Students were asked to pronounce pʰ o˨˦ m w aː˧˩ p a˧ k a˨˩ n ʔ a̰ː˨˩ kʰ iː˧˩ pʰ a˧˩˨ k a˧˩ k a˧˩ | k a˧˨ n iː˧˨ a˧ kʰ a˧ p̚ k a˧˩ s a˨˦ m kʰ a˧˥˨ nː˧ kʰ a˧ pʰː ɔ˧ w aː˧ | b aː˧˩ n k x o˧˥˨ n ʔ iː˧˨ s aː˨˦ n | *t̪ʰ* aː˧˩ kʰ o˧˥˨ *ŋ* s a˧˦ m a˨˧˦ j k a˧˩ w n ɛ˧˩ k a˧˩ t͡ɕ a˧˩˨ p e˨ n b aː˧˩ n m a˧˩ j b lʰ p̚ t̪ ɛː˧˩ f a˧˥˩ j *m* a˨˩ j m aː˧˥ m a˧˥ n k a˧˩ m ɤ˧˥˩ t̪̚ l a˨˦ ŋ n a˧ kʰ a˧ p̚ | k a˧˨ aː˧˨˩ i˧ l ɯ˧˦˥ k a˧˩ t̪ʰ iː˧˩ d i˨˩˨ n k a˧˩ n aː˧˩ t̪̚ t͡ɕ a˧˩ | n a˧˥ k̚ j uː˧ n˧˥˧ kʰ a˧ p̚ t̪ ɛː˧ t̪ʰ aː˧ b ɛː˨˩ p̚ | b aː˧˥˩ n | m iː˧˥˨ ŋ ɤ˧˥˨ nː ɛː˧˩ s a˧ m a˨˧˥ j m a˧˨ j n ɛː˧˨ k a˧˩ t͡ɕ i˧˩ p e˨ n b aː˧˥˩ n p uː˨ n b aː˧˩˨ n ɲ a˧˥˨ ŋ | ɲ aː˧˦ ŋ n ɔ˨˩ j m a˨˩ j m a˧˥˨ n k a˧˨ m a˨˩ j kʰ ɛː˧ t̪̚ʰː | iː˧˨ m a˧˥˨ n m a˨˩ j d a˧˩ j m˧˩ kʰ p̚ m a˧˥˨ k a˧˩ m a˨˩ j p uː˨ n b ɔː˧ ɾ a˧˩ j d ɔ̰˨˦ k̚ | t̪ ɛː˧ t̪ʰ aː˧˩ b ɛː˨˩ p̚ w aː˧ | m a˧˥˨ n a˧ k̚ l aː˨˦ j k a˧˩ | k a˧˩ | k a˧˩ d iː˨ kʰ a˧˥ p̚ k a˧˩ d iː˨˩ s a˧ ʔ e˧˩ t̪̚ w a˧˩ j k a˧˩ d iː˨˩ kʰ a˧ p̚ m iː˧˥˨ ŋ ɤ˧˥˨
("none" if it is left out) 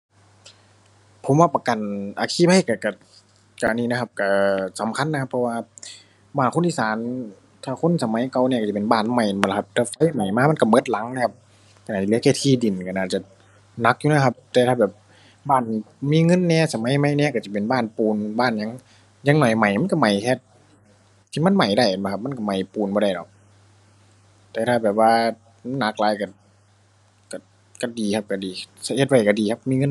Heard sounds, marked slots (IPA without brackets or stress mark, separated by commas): t̪ʰ, n, m